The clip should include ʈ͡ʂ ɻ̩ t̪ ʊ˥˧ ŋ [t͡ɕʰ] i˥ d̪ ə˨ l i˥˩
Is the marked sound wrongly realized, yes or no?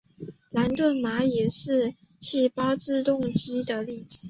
yes